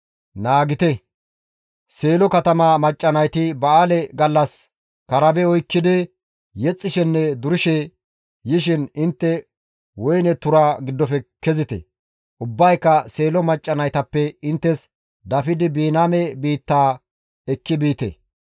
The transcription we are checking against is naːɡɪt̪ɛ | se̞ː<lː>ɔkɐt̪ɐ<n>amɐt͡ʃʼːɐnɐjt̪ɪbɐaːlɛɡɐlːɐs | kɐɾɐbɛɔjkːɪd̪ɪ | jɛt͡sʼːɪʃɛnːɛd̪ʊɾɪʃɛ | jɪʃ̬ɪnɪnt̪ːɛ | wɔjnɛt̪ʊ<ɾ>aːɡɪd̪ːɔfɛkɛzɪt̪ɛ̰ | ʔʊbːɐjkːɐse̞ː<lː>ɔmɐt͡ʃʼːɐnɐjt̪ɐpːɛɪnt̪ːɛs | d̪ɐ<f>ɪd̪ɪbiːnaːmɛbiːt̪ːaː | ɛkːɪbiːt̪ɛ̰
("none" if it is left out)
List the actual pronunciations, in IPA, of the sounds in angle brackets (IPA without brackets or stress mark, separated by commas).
l, m, ɾ, l, f